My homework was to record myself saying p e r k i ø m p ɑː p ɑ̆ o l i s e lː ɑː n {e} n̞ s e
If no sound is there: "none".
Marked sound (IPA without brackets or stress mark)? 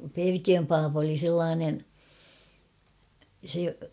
e